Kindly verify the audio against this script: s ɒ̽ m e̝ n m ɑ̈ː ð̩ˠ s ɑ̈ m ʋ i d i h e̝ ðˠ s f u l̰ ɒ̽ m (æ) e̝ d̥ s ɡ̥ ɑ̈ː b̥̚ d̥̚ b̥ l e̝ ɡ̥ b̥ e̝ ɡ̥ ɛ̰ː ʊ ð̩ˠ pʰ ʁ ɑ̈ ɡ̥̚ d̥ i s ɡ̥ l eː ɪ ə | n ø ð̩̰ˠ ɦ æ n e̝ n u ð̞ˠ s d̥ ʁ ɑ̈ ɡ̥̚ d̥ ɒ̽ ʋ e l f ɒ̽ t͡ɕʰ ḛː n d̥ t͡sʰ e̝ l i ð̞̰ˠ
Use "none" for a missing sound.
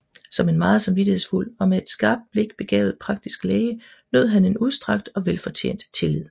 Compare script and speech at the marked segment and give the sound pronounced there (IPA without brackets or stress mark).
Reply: e